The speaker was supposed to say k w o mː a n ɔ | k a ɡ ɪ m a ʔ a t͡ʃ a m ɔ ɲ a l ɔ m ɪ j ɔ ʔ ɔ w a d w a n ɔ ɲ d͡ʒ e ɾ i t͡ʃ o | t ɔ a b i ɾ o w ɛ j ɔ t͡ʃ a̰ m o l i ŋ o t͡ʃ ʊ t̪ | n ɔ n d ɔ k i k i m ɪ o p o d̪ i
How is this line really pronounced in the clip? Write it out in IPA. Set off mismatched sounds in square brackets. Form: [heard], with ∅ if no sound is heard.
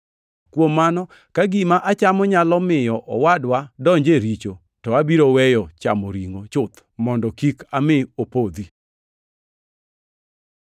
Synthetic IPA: k w o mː a n ɔ | k a ɡ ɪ m a ʔ a t͡ʃ a m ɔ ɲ a l ɔ m ɪ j ɔ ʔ ɔ w a d w a [d] ɔ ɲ d͡ʒ e ɾ i t͡ʃ o | t ɔ a b i ɾ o w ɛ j ɔ t͡ʃ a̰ m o [ɾ] i ŋ o t͡ʃ ʊ t̪ | [m] ɔ n d ɔ k i k [a] m ɪ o p o d̪ i